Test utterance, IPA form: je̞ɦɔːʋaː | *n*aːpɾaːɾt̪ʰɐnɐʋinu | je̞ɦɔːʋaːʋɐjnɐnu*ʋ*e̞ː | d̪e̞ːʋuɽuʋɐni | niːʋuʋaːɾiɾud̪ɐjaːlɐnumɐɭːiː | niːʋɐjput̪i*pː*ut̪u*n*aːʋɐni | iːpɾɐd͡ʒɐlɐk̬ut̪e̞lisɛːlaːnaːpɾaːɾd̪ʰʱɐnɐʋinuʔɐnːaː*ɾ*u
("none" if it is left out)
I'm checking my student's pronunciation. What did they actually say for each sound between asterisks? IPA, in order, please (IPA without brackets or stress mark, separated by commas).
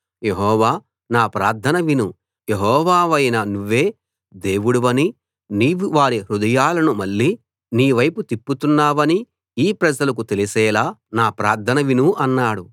n, ʋː, pː, nː, ɽ